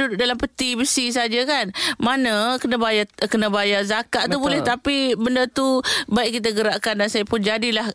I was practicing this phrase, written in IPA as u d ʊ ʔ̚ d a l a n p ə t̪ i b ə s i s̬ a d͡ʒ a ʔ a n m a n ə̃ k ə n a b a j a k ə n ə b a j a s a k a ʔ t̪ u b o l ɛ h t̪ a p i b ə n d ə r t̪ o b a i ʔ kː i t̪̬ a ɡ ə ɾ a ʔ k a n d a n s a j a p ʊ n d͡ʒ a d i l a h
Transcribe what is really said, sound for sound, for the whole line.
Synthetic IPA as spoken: u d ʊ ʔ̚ d a l a m p ə t̪ i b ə s i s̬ a d͡ʒ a k a n m a n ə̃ k ə n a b a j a k ə n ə b a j a z a k a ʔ t̪ u b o l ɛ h t̪ a p i b ə n d ə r t̪ u b a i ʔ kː i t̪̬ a ɡ ə ɾ a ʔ k a n d a n s a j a p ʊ n d͡ʒ a d i l a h